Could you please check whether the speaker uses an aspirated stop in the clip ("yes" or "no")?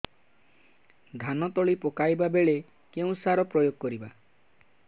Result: no